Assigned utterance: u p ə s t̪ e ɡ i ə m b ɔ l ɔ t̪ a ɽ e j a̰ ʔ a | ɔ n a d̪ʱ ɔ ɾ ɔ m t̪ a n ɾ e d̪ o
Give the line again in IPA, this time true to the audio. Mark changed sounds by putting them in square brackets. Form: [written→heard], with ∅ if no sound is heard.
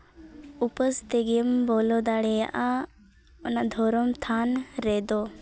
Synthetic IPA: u p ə s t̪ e ɡ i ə m b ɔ l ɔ [t̪→d̪] a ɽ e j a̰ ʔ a | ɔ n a d̪ʱ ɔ ɾ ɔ m [t̪→t̪ʰ] a n ɾ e d̪ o